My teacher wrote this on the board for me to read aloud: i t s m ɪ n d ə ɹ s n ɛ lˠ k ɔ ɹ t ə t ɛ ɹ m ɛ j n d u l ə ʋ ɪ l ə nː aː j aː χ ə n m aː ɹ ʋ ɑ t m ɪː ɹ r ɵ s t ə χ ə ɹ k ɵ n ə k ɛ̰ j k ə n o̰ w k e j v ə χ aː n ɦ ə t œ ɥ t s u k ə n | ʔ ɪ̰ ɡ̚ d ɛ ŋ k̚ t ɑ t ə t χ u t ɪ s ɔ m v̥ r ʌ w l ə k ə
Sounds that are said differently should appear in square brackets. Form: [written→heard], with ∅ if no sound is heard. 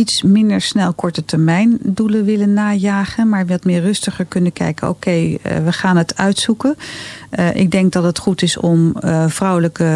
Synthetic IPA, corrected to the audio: i t s m ɪ n d ə ɹ s n ɛ lˠ k ɔ ɹ t ə t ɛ ɹ m ɛ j n d u l ə ʋ ɪ l ə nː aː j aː χ ə n m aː ɹ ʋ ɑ t m ɪː ɹ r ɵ s t ə χ ə ɹ k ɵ n ə k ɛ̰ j k ə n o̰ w k e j [v→ʋ] ə χ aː n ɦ ə t œ ɥ t s u k ə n | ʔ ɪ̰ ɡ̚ d ɛ ŋ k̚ [t→d] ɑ t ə t χ u t ɪ s ɔ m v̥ r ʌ w l ə k ə